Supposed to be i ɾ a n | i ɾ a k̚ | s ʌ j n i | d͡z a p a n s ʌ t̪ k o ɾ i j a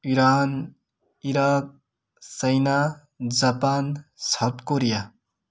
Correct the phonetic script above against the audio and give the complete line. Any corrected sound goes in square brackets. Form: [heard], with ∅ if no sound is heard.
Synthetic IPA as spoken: i ɾ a n | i ɾ a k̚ | s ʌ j n [a] | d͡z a p a n s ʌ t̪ k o ɾ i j a